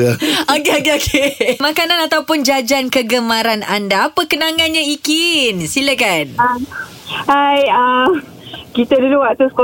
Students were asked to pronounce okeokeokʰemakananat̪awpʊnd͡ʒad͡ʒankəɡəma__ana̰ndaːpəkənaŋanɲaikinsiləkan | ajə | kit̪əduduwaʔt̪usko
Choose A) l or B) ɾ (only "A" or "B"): B